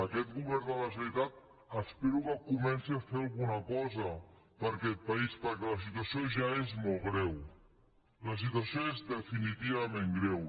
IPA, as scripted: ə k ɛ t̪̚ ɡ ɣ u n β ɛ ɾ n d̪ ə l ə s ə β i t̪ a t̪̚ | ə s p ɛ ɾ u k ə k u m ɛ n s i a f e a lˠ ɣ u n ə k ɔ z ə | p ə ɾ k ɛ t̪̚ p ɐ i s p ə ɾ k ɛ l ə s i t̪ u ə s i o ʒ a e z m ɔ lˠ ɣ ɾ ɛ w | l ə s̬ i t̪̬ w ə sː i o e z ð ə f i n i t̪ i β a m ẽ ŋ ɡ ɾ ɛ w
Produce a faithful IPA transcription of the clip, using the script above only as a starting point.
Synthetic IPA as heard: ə k ɛ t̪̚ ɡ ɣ u β ɛ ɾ n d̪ ə l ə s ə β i t̪ a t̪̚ | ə s p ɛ ɾ u k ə k u m ɛ n s i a f e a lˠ ɣ u n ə k ɔ z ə | p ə ɾ k ɛ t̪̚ p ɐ i s p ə ɾ k ɛ l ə s i t̪ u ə s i o ʒ a e z m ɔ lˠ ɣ ɾ ɛ w | l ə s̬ i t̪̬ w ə s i o e z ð ə f i n i t̪ i β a m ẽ ŋ ɡ ɾ ɛ w